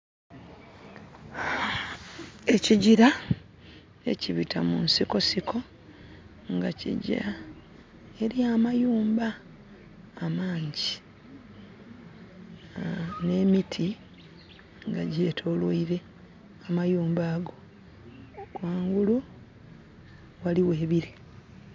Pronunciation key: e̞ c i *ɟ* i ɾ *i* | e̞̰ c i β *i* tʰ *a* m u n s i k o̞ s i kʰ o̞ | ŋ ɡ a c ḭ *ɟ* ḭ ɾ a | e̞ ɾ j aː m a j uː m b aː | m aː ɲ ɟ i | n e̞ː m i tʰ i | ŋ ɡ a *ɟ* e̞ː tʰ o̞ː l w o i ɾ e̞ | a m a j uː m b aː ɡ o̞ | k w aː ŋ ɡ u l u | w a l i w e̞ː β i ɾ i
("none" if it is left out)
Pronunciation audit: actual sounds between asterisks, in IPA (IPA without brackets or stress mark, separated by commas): ɟ, a, i, a, ɟ, ɟ